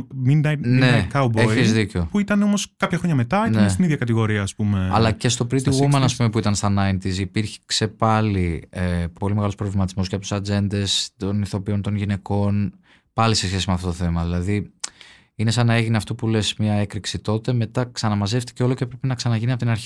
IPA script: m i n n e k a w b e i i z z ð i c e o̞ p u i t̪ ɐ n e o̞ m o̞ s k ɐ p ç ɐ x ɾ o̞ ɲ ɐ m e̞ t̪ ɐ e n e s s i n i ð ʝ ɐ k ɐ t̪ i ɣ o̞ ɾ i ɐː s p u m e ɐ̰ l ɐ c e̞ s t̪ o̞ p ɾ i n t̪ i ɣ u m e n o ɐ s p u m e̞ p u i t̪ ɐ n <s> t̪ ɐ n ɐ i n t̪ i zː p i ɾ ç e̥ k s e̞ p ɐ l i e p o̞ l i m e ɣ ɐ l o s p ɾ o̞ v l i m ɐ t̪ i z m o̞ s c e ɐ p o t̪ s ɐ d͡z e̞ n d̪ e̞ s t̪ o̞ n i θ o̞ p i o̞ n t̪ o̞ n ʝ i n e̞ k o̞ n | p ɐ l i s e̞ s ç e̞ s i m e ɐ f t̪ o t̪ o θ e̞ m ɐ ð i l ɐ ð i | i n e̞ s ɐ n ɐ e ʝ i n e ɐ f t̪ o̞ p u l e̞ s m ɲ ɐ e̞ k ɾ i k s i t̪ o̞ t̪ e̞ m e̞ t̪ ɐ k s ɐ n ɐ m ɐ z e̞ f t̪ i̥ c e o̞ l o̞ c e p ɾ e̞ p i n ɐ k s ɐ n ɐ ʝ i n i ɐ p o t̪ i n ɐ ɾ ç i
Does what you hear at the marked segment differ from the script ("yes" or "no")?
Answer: no